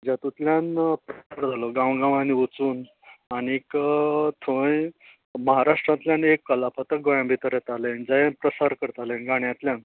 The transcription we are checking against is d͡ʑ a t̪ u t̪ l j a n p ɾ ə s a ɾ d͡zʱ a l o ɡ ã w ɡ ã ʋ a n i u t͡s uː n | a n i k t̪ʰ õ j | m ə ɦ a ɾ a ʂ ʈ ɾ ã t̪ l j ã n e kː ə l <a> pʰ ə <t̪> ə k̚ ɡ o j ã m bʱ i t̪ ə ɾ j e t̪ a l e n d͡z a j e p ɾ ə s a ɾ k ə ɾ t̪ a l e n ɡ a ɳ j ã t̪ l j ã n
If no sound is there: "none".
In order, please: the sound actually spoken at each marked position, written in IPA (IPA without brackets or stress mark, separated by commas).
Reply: a, t̪